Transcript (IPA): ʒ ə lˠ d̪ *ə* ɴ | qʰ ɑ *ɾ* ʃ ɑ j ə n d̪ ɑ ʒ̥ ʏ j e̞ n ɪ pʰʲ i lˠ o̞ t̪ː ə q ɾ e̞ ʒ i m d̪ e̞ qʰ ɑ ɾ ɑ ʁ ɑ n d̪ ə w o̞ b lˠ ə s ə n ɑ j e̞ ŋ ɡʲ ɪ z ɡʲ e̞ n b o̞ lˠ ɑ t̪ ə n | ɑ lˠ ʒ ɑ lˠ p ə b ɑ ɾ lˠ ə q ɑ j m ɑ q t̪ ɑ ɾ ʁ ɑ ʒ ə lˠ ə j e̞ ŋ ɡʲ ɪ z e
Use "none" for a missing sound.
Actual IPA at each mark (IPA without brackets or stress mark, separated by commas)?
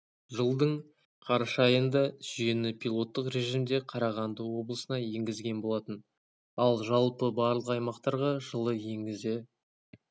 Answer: ə, ɾ